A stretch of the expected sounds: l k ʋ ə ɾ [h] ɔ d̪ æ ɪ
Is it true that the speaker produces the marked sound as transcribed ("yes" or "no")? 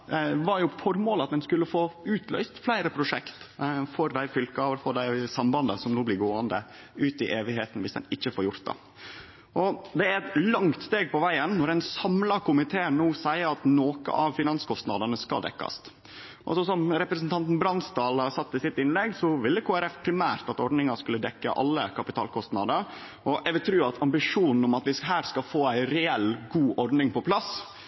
no